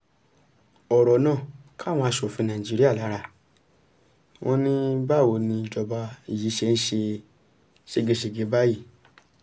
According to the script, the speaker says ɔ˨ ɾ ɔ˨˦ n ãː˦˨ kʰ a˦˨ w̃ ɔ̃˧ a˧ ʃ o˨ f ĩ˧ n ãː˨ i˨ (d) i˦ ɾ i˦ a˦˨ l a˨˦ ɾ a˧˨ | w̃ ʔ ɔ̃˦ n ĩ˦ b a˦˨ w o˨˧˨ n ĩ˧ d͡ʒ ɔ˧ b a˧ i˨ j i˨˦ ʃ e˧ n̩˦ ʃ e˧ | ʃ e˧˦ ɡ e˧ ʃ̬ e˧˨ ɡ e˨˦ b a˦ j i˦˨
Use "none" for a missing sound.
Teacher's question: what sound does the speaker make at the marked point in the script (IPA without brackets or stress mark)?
d͡ʒ